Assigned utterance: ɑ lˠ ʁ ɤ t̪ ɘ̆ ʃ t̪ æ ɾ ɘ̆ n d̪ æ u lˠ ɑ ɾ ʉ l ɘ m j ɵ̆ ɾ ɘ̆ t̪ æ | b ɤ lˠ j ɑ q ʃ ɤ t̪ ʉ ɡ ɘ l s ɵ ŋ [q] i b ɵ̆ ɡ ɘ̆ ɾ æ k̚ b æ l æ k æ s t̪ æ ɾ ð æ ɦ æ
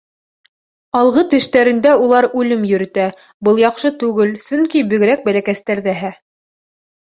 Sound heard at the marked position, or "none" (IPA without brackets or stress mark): k